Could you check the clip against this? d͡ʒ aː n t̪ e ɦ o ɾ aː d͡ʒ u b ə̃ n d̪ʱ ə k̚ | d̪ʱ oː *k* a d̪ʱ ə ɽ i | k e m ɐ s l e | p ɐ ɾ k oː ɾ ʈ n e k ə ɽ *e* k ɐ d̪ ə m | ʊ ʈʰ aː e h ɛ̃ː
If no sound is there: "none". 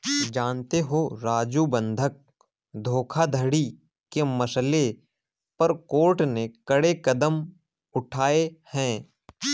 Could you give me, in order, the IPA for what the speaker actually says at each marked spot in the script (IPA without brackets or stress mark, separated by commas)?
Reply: kʰ, e